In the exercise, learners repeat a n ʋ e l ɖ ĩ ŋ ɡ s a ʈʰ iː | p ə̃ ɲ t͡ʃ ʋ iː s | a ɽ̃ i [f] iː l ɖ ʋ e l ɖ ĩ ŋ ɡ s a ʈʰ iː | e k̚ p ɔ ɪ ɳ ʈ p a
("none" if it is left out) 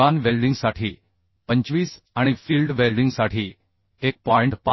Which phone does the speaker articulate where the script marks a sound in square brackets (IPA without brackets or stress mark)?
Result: f